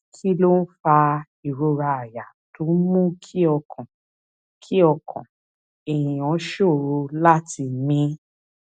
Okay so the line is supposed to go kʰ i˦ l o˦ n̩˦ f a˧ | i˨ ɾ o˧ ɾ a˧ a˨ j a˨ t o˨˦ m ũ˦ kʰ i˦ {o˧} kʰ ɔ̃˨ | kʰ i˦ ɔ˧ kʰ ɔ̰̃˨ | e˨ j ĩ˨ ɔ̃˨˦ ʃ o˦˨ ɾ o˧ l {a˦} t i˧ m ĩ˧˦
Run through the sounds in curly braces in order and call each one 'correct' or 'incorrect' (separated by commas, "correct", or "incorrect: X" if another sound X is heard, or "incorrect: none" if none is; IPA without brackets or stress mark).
incorrect: ɔ˧, correct